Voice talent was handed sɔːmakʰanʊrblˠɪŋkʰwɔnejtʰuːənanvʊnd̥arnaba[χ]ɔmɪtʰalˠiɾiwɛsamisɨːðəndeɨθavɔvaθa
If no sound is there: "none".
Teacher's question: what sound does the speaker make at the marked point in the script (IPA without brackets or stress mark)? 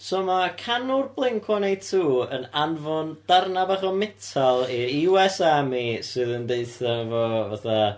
χ